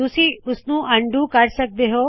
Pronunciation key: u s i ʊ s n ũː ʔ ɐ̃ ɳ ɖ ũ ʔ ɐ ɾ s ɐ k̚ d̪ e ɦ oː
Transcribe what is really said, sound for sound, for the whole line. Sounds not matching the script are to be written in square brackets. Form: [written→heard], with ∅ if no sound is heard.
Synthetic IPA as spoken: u s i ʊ s n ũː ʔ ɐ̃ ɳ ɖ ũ [ʔ→k] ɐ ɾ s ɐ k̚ d̪ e ɦ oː